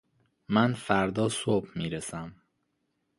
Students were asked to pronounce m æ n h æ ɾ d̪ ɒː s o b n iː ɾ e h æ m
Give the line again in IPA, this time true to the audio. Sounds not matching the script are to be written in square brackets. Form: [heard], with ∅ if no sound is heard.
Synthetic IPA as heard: m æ n [f] æ ɾ d̪ ɒː s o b [m] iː ɾ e [s] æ m

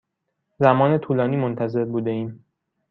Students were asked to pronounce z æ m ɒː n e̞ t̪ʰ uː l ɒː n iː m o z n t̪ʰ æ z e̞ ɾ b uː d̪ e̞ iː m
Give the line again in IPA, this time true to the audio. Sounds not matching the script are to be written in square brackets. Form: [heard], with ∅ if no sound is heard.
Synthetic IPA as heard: z æ m ɒː n e̞ t̪ʰ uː l ɒː n iː m o [∅] n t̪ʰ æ z e̞ ɾ b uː d̪ e̞ iː m

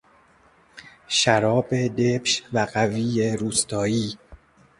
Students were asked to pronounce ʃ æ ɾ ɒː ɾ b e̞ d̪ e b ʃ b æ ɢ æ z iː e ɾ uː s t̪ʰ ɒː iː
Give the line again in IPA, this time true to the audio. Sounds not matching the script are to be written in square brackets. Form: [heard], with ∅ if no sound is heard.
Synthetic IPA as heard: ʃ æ ɾ ɒː [∅] b e̞ d̪ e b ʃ [v] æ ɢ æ [v] iː e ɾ uː s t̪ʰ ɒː iː

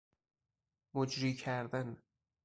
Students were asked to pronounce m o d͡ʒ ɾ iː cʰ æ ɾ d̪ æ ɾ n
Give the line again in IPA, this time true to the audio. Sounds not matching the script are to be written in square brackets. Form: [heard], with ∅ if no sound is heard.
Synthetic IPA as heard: m o d͡ʒ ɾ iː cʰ æ ɾ d̪ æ [∅] n

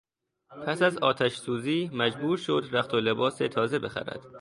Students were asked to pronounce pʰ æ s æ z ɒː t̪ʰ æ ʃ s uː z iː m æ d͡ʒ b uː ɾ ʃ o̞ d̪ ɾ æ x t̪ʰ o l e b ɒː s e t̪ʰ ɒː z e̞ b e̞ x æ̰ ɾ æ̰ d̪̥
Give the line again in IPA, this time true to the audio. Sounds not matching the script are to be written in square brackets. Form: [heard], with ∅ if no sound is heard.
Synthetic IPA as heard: pʰ æ s æ z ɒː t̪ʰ æ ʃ s uː z iː m æ d͡ʒ b uː ɾ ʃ o̞ d̪ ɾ æ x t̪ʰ o l e b ɒː s e t̪ʰ ɒː z e̞ b e̞ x æ̰ ɾ æ̰ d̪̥

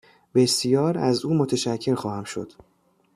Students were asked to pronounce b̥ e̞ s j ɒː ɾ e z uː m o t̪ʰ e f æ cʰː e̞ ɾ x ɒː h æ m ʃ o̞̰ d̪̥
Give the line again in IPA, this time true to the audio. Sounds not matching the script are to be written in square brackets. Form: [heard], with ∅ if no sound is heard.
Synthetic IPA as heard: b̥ e̞ s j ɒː ɾ [æ] z uː m o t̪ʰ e [ʃ] æ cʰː e̞ ɾ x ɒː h æ m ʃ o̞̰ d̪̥

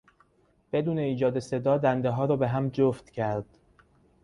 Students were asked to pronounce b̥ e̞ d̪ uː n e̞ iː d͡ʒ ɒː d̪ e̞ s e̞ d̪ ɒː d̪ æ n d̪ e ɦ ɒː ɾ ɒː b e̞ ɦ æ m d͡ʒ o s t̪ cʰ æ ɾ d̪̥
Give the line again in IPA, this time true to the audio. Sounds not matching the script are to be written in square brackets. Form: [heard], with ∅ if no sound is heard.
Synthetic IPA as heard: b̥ e̞ d̪ uː n e̞ iː d͡ʒ ɒː d̪ e̞ s e̞ d̪ ɒː d̪ æ n d̪ e ɦ ɒː ɾ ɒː b e̞ ɦ æ m d͡ʒ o [f] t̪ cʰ æ ɾ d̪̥

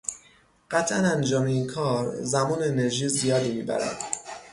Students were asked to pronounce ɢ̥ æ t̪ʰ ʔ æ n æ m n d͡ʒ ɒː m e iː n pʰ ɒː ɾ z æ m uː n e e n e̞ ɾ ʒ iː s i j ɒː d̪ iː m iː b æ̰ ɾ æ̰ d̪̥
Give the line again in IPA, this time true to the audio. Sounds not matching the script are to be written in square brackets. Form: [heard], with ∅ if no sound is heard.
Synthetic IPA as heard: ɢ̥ æ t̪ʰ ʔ æ n æ [∅] n d͡ʒ ɒː m e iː n [kʰ] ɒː ɾ z æ m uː n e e n e̞ ɾ ʒ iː [z] i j ɒː d̪ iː m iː b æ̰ ɾ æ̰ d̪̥

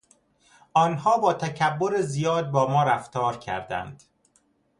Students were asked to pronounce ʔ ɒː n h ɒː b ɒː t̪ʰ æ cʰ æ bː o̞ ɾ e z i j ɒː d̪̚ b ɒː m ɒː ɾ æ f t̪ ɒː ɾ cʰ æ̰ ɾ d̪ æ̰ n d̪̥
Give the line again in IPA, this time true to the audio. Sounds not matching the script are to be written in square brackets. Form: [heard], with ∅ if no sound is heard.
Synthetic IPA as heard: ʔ ɒː n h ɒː b ɒː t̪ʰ æ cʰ æ bː o̞ ɾ e z i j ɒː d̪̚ b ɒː m ɒː ɾ æ f t̪ ɒː ɾ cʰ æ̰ ɾ d̪ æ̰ n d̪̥

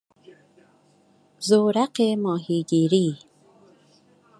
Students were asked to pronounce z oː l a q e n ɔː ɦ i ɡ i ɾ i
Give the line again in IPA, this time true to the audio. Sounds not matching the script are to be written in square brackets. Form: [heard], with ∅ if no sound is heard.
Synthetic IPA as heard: z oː [ɾ] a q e [m] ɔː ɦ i ɡ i ɾ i

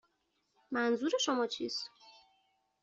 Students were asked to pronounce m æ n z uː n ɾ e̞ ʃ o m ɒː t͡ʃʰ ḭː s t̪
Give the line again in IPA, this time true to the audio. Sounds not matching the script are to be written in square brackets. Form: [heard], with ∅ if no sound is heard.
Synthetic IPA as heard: m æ n z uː [∅] ɾ e̞ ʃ o m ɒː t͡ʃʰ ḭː s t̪

